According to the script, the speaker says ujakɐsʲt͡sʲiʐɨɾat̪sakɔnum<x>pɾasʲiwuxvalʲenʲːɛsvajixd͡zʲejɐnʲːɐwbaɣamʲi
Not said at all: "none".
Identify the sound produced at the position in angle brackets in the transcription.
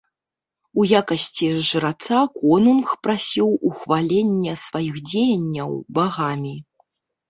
x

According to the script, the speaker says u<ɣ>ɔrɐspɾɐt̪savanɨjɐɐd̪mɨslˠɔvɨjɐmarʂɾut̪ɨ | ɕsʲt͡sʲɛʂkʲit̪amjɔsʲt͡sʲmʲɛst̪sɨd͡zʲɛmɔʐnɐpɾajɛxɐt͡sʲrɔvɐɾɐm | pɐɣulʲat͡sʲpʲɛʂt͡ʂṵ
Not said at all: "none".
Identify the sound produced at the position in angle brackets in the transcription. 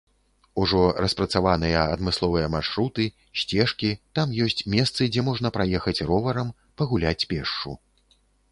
ʐ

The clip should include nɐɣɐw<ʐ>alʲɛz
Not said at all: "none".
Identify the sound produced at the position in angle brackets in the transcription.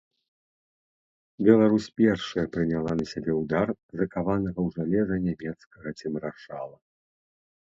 ʐ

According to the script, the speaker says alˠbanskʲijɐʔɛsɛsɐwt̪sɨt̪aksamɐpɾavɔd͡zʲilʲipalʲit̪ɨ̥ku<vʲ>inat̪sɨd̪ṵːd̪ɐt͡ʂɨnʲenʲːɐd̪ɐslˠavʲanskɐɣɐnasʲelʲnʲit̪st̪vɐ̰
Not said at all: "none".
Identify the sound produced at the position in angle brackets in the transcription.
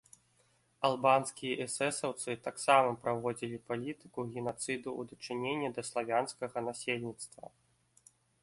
ɣʲ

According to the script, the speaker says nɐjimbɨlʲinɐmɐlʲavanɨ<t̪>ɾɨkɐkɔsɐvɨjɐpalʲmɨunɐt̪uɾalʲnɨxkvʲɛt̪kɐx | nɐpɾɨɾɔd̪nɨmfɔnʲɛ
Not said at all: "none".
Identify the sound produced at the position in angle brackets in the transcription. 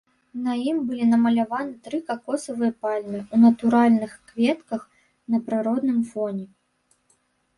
t̪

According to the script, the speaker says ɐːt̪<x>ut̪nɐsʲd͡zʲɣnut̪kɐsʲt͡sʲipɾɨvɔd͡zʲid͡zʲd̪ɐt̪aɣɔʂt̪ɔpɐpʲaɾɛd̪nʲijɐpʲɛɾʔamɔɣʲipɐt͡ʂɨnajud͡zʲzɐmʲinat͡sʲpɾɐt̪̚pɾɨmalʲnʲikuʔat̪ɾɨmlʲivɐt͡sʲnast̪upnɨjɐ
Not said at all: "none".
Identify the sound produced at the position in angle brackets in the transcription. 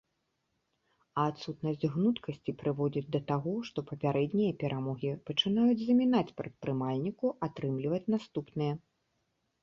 s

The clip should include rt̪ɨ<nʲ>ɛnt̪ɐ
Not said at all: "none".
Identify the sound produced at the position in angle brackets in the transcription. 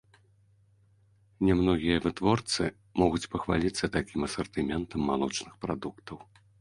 mʲ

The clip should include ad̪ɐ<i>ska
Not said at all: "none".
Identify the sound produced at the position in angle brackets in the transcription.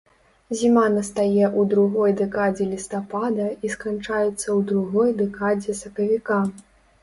i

